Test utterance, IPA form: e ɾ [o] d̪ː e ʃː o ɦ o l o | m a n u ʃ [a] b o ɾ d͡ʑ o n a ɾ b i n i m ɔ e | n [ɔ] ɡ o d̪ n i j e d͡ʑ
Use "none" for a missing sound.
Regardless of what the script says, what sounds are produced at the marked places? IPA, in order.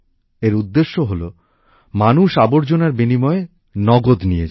u, a, ɔ

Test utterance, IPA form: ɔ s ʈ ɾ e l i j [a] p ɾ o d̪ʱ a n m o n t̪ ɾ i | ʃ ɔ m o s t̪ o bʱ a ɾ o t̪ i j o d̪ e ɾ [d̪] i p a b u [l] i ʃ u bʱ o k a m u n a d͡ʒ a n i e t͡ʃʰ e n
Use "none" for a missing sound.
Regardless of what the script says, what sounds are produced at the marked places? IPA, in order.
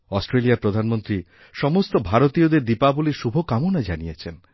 a, d̪, l

